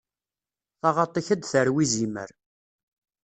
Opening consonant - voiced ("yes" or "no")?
no